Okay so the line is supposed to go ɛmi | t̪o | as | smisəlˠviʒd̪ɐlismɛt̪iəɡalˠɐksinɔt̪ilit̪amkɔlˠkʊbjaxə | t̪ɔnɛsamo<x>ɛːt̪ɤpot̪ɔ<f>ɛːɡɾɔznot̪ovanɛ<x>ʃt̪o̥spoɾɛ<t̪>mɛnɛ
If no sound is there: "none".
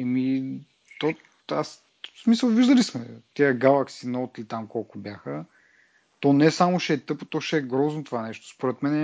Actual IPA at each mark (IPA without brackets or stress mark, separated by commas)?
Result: ʃ, ʃ, none, t̪